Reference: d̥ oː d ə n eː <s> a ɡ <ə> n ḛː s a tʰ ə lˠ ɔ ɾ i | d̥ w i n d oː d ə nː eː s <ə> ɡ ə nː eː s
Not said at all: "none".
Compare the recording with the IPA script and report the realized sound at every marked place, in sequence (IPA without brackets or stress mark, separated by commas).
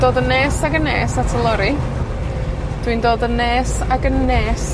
s, ə, a